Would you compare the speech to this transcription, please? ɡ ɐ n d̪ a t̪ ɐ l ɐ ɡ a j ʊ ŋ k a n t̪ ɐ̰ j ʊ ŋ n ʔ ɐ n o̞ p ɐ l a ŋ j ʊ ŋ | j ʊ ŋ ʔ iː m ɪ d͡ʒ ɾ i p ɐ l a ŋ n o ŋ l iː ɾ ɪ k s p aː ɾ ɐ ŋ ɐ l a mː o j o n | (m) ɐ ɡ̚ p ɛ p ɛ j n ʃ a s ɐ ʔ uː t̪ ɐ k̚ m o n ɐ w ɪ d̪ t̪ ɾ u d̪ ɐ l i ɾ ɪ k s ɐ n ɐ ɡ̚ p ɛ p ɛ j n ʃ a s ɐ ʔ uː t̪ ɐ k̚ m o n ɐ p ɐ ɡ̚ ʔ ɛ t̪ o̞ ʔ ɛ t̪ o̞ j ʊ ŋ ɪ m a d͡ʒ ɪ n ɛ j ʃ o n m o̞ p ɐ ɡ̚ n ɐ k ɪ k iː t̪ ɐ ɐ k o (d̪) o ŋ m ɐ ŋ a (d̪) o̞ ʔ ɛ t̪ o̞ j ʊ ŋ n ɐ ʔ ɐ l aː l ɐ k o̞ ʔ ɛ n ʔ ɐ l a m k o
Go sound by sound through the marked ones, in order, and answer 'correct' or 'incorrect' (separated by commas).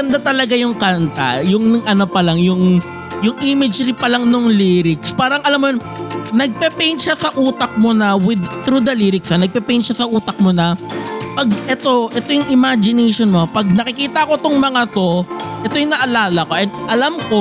incorrect, incorrect, incorrect